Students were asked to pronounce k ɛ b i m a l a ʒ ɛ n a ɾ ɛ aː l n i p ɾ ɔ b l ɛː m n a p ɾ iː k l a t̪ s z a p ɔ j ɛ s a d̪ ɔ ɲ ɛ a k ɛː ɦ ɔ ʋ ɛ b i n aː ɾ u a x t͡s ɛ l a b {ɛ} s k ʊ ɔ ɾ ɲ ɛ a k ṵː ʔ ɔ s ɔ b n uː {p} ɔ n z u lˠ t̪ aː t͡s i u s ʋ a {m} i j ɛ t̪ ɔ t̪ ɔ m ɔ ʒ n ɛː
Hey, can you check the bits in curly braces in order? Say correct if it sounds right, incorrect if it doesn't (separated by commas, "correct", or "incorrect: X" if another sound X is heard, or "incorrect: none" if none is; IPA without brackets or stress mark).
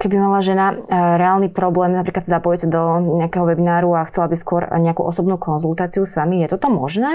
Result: incorrect: i, incorrect: k, correct